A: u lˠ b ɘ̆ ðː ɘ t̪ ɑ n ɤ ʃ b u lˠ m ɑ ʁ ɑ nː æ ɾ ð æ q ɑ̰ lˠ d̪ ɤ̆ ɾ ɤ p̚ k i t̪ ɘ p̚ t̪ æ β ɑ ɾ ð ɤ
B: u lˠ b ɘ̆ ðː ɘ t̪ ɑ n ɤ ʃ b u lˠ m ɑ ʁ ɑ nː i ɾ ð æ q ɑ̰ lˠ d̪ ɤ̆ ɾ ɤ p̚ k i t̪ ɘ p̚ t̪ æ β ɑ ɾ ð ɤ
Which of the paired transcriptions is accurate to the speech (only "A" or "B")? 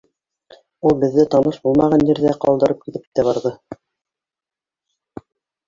B